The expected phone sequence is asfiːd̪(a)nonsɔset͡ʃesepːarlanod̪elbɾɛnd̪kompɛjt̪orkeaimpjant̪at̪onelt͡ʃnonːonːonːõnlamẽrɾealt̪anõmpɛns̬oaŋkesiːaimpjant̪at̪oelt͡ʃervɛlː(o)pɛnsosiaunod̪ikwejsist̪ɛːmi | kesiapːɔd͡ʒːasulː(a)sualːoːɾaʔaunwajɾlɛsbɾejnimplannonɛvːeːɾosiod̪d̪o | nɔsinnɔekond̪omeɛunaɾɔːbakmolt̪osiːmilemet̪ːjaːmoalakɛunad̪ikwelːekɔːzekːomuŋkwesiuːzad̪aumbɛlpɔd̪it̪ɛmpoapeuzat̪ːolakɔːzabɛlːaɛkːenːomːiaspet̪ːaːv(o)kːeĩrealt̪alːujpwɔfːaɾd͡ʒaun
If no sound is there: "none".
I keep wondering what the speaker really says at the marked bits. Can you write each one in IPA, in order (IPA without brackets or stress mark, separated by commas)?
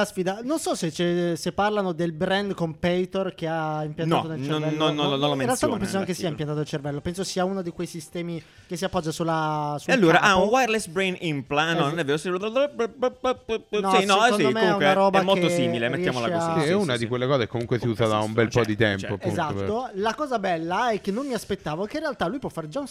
a, o, a, o